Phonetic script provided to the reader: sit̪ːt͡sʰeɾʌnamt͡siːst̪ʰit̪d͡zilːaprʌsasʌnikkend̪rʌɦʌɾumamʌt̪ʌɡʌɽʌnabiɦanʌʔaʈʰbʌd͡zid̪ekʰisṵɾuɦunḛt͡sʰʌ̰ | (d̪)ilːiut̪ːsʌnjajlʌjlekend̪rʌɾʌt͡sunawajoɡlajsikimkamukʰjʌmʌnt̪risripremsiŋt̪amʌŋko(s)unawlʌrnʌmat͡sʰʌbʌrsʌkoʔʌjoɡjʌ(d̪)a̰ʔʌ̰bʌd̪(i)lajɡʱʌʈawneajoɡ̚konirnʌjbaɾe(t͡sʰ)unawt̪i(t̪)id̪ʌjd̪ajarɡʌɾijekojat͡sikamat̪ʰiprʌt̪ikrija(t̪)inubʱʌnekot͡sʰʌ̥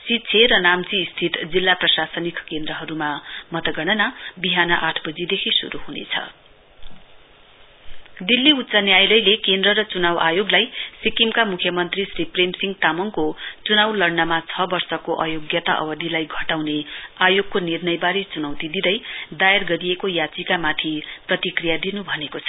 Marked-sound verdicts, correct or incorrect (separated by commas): correct, incorrect, incorrect, correct, incorrect, incorrect, incorrect